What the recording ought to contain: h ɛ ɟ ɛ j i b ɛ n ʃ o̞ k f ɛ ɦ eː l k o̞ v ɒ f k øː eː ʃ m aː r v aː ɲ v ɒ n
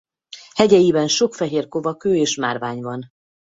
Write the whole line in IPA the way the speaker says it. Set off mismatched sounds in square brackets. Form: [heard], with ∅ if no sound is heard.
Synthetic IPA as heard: h ɛ ɟ ɛ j i b ɛ n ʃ o̞ k f ɛ ɦ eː [r] k o̞ v ɒ [∅] k øː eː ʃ m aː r v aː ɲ v ɒ n